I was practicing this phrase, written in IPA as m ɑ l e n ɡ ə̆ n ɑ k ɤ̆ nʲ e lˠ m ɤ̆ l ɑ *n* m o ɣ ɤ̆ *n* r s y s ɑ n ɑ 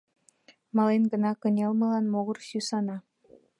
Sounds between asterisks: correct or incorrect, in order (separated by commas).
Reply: correct, incorrect